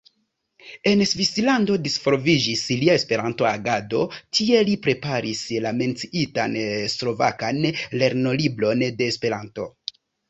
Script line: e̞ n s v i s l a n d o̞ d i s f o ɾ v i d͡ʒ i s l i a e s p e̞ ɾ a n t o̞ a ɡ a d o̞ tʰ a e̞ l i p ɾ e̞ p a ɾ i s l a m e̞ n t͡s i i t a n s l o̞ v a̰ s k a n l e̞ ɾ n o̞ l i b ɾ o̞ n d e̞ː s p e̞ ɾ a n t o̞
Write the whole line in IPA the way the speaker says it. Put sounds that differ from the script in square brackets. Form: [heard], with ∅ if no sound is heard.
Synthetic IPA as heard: e̞ n s v i s l a n d o̞ d i s f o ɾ v i d͡ʒ i s l i a e s p e̞ ɾ a n t o̞ a ɡ a d o̞ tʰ [i] e̞ l i p ɾ e̞ p a ɾ i s l a m e̞ n t͡s i i t a n s l o̞ v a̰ [∅] k a n l e̞ ɾ n o̞ l i b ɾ o̞ n d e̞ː s p e̞ ɾ a n t o̞